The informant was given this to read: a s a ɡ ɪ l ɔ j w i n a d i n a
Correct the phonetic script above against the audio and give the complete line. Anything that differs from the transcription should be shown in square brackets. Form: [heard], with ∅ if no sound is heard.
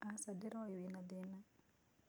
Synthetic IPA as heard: a s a [d] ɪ [ɾ] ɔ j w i n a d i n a